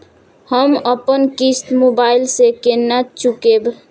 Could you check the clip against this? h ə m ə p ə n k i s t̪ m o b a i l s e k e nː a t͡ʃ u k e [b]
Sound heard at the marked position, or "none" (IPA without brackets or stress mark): b